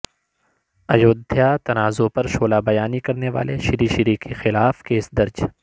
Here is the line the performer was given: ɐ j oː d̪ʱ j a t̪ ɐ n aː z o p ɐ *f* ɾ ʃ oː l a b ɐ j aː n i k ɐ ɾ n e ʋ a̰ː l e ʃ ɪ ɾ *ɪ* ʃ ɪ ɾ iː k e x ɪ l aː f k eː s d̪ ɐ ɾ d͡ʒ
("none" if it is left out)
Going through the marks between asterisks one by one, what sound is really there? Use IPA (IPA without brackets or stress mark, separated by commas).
none, i